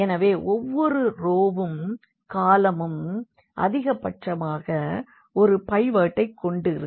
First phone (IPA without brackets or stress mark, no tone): ɛ